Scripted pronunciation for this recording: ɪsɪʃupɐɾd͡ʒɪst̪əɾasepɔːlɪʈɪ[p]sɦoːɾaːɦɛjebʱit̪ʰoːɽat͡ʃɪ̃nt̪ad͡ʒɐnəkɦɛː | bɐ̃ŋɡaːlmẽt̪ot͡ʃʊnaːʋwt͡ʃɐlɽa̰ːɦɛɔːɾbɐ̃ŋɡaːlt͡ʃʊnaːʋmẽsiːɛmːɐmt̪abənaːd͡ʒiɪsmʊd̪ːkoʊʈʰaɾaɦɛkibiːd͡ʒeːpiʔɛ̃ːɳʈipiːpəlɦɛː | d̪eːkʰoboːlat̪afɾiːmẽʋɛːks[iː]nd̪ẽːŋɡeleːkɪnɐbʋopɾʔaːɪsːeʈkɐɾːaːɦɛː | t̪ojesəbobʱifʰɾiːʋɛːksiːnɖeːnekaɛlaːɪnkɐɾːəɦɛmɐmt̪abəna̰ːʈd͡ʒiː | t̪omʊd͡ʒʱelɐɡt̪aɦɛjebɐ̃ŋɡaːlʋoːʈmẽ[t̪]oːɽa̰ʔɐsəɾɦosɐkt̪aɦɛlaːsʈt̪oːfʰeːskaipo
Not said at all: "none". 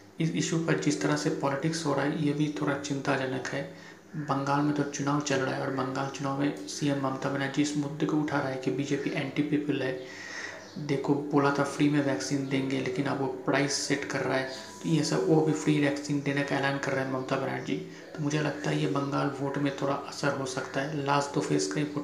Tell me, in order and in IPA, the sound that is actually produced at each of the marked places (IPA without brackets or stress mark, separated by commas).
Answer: k, iː, t̪ʰ